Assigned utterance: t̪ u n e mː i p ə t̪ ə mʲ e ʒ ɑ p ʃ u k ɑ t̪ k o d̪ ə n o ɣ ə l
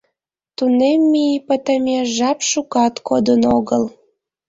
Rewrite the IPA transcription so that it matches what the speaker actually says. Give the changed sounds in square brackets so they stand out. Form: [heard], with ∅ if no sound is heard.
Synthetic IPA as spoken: t̪ u n e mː i p ə t̪ ə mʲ e ʒ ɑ p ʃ u k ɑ t̪ k o d̪ ə n o ɣ ə l